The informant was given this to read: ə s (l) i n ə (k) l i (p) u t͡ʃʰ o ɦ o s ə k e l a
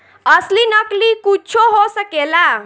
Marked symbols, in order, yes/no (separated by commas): yes, yes, no